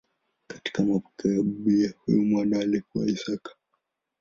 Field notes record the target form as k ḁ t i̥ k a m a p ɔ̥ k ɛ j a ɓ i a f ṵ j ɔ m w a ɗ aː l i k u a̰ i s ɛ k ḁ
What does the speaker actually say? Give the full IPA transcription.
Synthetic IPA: k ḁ t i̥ k a m a p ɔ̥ k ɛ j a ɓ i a h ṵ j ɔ m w a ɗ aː l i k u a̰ i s a k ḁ

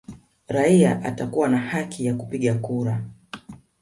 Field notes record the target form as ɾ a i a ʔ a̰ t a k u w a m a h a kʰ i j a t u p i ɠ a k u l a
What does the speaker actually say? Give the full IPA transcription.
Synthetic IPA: ɾ a i a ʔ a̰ t a k u w a n a h a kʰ i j a k u p i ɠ a k u ɾ a

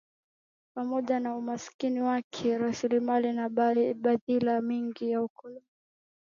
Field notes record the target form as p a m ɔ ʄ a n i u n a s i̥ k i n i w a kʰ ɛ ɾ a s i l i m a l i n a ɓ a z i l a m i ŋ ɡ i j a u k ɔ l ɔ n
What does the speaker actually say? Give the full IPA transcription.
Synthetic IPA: p a m ɔ ʄ a n a u m a s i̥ k i n i w a kʰ ɛ ɾ a s i l i m a l i n a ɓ a ð i l a m i ŋ ɡ i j a u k ɔ l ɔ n

